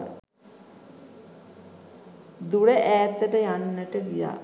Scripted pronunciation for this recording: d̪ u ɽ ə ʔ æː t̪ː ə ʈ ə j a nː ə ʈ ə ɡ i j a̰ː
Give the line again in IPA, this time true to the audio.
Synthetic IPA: d̪ u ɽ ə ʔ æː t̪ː ə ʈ ə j a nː ə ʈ ə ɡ i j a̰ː